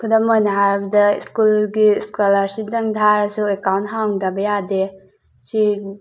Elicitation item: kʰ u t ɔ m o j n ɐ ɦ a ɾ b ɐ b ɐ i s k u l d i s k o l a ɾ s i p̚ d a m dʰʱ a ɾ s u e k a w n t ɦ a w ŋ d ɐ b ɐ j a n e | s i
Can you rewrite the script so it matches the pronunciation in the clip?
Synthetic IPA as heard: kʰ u d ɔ m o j n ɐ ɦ a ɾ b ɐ d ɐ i s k u l ɡ i s k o l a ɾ s i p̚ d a ŋ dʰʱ a ɾ s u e k a w n t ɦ a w ŋ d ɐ b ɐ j a d e | s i